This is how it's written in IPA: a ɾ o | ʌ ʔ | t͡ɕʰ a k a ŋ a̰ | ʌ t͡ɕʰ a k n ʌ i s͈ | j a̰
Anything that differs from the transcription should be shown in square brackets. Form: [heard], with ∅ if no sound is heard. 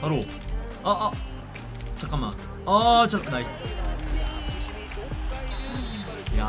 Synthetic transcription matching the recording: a ɾ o | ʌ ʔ | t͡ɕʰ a k a [m] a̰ | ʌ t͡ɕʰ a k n [a] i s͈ | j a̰